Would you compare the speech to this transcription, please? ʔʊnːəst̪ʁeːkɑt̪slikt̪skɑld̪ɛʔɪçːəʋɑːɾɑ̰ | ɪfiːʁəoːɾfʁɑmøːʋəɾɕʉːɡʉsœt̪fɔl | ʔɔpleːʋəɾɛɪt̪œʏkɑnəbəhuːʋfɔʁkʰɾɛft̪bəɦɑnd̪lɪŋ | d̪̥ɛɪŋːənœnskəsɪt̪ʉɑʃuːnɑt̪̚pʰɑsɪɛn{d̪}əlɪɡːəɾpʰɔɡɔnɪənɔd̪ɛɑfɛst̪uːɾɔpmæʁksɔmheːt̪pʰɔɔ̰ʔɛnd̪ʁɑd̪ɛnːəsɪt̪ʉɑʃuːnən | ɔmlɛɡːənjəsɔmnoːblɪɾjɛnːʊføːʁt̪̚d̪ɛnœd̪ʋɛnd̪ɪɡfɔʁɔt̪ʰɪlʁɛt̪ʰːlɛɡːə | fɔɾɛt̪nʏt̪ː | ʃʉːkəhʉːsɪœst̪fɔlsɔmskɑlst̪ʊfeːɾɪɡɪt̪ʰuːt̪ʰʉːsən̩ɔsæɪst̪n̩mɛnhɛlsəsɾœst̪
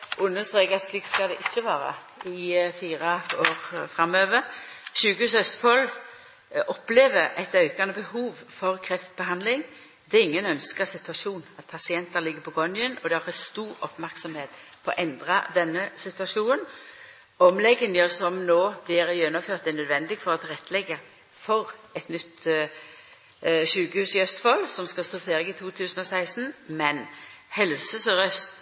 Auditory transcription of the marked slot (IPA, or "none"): t̪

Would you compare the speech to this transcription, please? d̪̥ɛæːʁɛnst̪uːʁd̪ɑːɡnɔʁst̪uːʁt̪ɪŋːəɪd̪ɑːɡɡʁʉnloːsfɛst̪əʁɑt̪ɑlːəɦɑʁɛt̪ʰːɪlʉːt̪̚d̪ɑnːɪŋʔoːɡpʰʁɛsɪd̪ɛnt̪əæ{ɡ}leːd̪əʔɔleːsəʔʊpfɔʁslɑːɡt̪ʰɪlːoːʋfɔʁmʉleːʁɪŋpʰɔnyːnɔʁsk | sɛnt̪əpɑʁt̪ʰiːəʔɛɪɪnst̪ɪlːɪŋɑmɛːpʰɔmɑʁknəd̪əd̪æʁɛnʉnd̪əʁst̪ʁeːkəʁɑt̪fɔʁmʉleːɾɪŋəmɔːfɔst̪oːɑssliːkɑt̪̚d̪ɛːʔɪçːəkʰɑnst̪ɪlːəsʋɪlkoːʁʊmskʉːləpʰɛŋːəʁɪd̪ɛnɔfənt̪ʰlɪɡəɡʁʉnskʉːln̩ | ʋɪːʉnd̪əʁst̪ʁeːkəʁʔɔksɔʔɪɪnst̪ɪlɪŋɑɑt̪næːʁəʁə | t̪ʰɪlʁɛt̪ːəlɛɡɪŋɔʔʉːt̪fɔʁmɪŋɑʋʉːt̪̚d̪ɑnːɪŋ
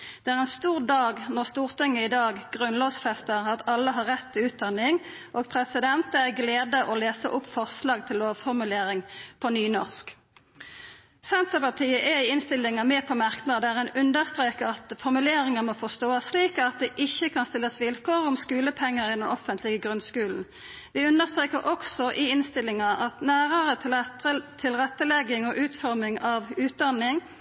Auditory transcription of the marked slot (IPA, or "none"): ɡ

